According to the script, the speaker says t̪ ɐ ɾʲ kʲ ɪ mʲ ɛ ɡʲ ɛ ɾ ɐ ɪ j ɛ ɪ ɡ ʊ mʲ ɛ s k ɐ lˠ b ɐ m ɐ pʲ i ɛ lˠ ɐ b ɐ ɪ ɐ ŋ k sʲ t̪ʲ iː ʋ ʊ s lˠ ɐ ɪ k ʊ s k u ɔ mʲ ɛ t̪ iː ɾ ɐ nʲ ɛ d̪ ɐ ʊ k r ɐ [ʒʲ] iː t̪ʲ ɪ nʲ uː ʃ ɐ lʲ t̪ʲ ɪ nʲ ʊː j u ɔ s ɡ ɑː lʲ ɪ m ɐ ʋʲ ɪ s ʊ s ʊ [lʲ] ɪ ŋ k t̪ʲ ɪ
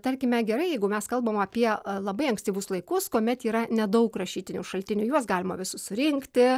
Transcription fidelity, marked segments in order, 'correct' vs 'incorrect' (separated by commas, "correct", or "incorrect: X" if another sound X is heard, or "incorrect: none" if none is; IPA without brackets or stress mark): incorrect: ʃʲ, incorrect: ɾʲ